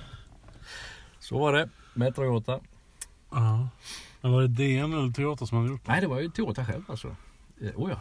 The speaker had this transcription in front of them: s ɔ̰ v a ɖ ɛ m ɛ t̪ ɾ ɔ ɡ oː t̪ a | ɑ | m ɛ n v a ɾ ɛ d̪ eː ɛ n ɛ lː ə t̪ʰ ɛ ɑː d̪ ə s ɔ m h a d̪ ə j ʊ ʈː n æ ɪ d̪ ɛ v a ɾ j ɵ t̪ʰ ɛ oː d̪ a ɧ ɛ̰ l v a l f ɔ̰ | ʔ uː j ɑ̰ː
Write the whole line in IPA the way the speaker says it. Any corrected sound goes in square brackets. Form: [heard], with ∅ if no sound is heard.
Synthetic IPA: s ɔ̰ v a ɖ ɛ m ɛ t̪ ɾ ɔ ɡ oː t̪ a | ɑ | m ɛ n v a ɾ ɛ d̪ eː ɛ n ɛ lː ə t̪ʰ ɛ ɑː [t̪] ə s ɔ m h a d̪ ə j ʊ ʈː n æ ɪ d̪ ɛ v a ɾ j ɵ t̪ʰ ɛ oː [t̪] a ɧ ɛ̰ l v a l [s] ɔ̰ | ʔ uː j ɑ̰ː